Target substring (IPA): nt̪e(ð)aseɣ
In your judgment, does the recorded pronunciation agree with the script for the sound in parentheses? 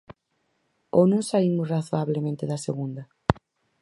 yes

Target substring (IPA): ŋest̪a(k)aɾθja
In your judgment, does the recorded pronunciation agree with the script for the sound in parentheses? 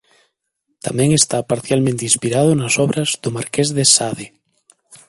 no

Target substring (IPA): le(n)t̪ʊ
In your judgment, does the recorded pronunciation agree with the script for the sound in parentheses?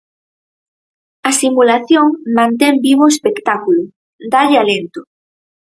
yes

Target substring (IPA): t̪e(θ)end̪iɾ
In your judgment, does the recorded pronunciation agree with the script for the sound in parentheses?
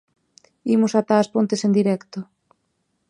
no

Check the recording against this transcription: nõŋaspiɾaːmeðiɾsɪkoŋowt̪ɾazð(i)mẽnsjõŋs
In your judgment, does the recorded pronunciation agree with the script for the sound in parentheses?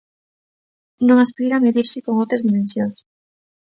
yes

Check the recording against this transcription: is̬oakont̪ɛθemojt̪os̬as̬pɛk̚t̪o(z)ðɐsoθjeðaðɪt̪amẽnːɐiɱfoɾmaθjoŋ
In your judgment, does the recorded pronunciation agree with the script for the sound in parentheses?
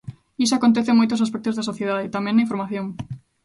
yes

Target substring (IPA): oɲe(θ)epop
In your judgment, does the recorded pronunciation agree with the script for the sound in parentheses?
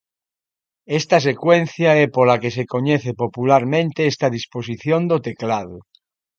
yes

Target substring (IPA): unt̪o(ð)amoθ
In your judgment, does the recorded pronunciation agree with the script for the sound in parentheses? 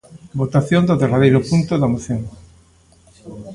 yes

